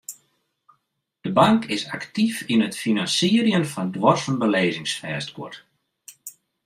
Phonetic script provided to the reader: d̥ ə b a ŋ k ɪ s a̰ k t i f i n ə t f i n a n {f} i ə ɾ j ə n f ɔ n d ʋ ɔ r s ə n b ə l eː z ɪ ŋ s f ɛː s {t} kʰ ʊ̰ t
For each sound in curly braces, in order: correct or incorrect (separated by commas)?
incorrect, correct